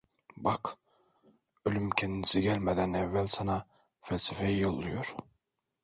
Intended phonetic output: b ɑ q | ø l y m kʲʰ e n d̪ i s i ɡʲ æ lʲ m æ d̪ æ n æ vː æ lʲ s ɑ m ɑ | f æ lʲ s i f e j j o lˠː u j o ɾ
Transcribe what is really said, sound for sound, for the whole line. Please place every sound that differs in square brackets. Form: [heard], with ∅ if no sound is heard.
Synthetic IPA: b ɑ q | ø l y m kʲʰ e n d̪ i s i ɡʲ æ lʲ m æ d̪ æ n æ vː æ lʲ s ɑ [n] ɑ | f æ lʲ s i f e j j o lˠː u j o ɾ

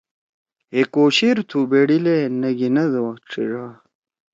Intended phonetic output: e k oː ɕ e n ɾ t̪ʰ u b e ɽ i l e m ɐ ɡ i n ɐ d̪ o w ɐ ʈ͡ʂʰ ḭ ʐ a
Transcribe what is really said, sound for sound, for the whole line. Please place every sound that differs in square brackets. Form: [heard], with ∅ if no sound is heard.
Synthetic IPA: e k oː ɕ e [∅] ɾ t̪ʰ u b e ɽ i l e [n] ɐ ɡ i n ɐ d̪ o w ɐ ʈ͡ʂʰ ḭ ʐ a

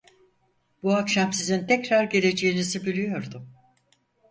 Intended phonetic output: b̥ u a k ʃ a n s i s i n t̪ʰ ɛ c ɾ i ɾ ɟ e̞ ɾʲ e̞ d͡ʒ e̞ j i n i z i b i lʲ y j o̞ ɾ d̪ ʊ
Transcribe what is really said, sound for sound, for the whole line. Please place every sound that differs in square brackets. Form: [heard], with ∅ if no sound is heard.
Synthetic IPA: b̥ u a k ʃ a [m] s i [z] i n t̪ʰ ɛ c ɾ [a] ɾ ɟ e̞ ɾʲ e̞ d͡ʒ e̞ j i n i z i b i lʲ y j o̞ ɾ d̪ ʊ

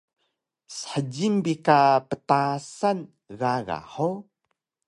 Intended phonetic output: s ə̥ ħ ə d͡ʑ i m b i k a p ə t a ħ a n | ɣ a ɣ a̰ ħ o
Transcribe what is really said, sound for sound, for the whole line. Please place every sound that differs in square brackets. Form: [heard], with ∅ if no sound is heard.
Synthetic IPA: s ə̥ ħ ə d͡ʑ i m b i k a p ə t a [s] a n | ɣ a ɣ a̰ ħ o

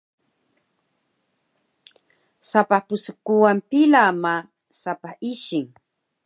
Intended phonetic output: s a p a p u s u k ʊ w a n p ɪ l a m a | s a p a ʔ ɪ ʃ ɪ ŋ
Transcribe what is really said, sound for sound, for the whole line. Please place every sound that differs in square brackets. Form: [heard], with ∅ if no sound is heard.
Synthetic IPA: s a p a p [ʊ] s [ʊ] k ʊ w a [m] p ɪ l a m a | s a p a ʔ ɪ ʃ ɪ ŋ

